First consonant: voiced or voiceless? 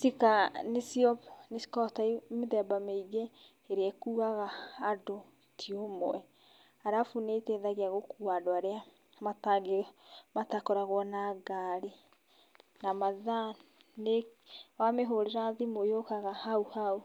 voiceless